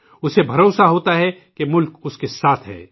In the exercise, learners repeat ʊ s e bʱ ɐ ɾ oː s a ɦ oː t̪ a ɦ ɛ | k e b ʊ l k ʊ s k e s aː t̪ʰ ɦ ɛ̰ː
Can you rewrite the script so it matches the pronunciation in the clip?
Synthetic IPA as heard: ʊ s e bʱ ɐ ɾ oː s a ɦ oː t̪ a ɦ ɛ | k e m ʊ l k ʊ s k e s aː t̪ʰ ɦ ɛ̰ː